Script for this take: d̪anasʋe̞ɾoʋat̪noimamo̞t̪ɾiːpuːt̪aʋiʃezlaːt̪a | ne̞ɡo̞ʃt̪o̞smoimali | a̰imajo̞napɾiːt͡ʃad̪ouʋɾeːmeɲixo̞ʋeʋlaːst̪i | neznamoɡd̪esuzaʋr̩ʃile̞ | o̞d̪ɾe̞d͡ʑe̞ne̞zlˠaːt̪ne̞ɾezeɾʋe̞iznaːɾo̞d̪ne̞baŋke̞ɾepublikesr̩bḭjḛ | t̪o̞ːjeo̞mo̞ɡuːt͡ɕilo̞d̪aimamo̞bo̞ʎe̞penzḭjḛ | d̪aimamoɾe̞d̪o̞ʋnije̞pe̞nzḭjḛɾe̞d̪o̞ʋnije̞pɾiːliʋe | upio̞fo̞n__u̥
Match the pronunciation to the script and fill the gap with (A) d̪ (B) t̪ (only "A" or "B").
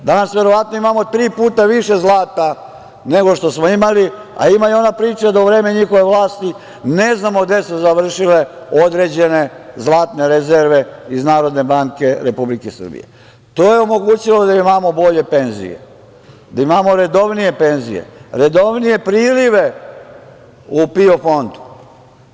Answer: A